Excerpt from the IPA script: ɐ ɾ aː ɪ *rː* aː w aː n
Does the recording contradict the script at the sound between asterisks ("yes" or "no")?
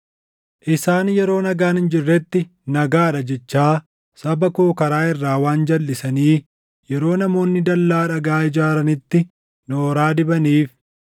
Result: no